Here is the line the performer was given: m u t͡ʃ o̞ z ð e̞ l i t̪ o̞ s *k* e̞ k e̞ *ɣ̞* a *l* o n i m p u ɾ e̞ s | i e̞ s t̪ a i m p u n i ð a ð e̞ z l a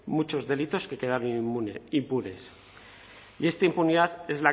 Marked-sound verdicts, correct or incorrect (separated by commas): correct, incorrect, incorrect